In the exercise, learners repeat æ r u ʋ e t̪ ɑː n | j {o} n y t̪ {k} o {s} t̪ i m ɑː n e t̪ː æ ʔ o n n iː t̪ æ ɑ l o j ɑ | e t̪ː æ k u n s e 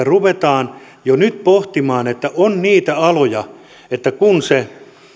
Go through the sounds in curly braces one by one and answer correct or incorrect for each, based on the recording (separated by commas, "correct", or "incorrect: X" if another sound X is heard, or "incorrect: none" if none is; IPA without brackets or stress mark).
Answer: correct, incorrect: p, incorrect: h